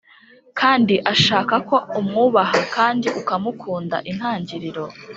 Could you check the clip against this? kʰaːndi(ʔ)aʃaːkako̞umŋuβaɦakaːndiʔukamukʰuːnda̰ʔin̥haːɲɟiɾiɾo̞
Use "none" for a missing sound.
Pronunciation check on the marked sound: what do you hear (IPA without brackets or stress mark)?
ʔ